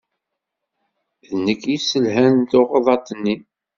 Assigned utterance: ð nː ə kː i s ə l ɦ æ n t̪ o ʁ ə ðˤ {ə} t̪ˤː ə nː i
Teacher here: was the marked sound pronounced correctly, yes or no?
no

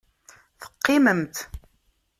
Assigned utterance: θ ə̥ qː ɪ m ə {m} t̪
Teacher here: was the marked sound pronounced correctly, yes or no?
yes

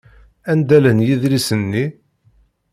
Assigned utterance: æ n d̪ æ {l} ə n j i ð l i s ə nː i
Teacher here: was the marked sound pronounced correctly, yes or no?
yes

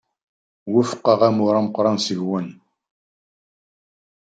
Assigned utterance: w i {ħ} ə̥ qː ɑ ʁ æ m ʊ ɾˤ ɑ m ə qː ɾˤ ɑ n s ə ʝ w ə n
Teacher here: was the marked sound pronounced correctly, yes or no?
no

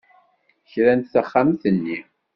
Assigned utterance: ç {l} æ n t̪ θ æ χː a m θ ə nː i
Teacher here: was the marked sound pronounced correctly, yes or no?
no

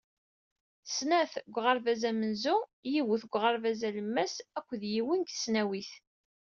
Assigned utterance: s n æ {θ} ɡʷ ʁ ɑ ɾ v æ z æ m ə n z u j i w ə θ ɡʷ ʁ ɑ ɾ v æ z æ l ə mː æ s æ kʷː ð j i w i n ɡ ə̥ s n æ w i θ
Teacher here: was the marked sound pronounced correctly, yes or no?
yes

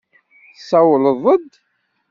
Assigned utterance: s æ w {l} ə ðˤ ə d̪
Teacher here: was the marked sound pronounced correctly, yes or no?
yes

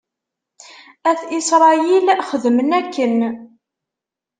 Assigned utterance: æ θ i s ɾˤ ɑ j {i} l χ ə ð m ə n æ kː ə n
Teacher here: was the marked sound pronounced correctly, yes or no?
yes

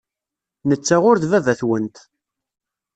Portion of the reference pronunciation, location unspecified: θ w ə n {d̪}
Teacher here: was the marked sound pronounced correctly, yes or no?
no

